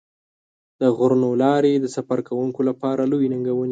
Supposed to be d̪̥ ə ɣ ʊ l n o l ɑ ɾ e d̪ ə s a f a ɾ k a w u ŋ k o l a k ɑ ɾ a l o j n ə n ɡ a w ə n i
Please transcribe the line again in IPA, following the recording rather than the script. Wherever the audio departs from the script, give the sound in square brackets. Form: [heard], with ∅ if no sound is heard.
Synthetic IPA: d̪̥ ə ɣ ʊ [ɾ] n o l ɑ ɾ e d̪ ə s a f a ɾ k a w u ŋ k o l a [p] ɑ ɾ a l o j n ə [ŋ] ɡ a w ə n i